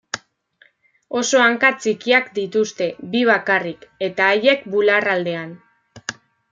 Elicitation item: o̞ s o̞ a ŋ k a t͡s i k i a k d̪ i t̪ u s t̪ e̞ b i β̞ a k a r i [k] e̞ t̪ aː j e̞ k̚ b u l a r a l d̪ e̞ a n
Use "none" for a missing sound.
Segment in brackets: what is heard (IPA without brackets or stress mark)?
k